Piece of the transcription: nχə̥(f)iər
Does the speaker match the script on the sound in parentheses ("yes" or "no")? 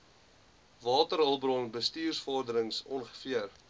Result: yes